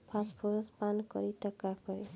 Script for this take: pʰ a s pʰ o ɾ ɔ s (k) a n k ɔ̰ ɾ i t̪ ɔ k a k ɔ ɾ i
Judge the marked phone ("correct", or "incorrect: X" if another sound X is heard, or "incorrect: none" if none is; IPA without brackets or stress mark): incorrect: p